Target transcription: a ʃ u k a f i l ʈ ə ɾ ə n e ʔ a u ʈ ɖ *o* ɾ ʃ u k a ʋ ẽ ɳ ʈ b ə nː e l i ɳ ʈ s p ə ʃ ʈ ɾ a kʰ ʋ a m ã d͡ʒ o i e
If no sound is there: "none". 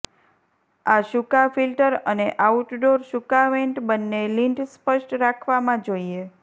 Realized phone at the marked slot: o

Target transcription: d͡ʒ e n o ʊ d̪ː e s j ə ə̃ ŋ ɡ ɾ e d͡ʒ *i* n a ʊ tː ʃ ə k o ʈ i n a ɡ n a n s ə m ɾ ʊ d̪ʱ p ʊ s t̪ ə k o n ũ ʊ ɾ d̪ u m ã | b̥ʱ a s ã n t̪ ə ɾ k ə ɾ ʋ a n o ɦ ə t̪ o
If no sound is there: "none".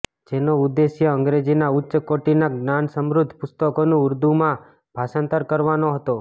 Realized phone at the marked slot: i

